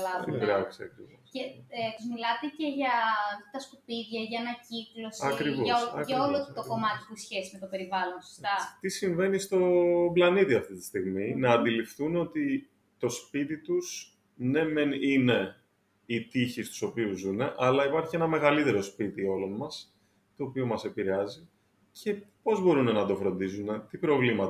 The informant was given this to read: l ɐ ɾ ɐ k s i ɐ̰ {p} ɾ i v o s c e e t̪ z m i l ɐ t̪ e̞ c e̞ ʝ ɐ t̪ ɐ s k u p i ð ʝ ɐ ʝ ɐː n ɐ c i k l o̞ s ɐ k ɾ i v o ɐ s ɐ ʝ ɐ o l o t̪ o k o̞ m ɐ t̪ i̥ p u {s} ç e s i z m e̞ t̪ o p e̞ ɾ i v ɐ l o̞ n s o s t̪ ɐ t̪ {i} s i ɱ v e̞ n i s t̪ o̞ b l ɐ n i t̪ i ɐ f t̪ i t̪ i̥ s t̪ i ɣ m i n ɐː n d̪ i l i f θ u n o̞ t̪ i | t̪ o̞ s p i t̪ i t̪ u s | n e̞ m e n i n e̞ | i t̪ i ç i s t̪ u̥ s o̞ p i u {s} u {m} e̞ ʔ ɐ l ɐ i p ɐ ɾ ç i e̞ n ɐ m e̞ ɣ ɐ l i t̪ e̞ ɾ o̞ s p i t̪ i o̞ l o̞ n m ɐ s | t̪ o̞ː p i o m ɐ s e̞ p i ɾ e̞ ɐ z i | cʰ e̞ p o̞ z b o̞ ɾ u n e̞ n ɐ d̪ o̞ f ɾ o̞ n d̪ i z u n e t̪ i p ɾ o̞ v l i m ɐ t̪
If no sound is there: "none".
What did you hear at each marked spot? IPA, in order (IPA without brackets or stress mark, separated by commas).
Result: k, s, i, z, n